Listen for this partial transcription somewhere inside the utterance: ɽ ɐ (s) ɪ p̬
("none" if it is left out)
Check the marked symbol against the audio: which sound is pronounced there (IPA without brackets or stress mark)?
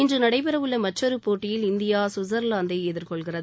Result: none